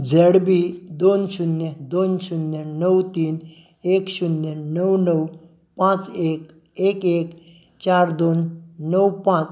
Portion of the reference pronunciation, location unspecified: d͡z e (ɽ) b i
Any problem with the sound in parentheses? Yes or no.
no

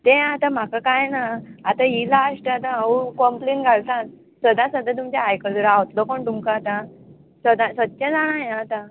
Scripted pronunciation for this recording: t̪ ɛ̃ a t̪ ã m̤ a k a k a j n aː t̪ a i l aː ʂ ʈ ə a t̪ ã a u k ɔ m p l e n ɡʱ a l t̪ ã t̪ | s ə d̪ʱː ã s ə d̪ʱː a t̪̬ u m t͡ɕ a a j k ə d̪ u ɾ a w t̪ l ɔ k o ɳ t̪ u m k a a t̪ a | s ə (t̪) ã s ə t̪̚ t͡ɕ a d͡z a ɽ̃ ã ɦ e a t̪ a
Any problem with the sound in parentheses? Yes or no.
yes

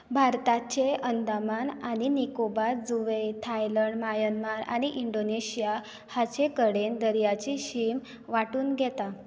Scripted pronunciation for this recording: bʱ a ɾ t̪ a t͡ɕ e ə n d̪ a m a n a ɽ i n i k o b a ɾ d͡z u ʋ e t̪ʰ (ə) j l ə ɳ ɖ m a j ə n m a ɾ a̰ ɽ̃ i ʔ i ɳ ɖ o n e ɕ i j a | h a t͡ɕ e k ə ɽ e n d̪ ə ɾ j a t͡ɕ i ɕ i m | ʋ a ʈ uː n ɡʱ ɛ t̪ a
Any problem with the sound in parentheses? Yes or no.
yes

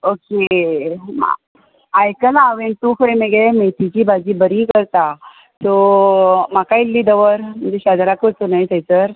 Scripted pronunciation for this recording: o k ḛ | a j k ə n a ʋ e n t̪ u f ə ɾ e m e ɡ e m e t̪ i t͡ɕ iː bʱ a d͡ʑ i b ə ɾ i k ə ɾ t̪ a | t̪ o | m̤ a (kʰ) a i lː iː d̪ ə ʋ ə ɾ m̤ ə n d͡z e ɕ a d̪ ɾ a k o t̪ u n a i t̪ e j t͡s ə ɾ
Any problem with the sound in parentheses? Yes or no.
yes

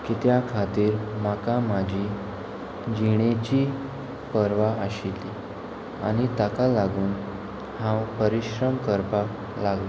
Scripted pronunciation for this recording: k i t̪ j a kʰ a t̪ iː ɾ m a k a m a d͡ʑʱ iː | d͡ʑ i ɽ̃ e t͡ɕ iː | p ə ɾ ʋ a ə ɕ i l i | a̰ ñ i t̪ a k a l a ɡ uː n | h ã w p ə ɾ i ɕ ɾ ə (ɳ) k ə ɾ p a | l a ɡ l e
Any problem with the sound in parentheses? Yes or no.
yes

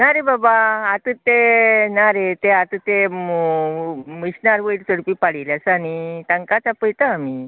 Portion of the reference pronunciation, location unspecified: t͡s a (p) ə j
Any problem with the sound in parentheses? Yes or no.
no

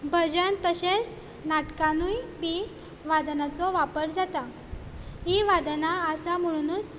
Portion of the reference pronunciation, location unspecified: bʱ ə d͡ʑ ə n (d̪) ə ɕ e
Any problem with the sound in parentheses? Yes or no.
yes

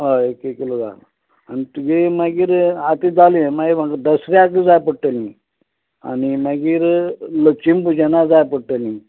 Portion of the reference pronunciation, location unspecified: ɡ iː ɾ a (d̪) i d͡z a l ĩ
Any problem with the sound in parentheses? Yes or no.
yes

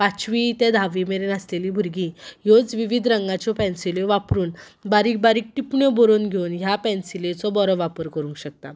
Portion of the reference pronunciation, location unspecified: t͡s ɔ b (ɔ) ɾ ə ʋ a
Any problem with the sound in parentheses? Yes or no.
no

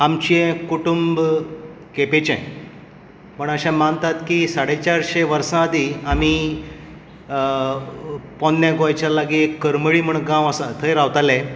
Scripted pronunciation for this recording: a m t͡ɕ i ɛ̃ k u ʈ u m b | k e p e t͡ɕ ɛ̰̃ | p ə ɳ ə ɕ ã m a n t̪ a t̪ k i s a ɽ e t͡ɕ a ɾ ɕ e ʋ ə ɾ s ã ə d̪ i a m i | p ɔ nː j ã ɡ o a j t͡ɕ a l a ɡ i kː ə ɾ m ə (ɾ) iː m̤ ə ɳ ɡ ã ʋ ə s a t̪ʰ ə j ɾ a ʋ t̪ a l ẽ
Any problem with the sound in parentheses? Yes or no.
yes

